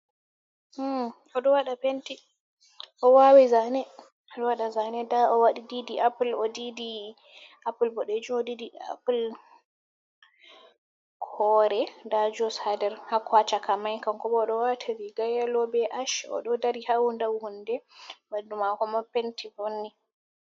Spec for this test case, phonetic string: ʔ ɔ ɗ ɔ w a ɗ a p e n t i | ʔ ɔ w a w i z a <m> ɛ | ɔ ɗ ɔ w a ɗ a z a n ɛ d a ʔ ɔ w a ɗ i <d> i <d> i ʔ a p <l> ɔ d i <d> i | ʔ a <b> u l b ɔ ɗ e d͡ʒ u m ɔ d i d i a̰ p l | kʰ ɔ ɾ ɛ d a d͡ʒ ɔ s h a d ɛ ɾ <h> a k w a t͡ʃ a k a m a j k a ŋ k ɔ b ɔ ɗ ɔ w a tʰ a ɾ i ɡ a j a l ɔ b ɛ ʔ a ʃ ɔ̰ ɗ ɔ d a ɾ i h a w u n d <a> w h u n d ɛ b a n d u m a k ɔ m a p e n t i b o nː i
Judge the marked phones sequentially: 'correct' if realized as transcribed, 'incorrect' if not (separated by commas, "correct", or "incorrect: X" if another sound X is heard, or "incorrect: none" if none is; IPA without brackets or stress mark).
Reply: incorrect: n, correct, correct, correct, correct, incorrect: p, correct, correct